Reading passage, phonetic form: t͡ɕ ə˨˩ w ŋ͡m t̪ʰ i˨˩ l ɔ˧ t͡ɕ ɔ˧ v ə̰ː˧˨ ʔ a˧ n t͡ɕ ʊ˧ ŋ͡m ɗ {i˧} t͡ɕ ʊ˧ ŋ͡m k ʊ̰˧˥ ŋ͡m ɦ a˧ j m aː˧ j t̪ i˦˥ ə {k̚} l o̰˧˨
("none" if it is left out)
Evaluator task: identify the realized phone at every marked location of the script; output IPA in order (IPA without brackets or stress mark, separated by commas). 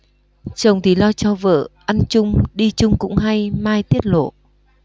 i˧, t̚